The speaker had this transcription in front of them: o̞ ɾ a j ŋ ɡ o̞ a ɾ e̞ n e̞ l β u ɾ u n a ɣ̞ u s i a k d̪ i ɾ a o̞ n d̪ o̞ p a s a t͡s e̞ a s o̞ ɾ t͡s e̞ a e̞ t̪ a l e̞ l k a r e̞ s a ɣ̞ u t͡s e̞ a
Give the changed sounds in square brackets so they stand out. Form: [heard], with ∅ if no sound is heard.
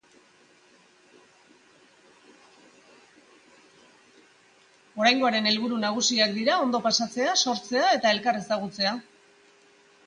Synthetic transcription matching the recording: o̞ ɾ a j ŋ ɡ o̞ a ɾ e̞ n e̞ l β u ɾ u n a ɣ̞ u s i a k d̪ i ɾ a o̞ n d̪ o̞ p a s a t͡s e̞ a s o̞ ɾ t͡s e̞ a e̞ t̪ a [∅] e̞ l k a r e̞ s a ɣ̞ u t͡s e̞ a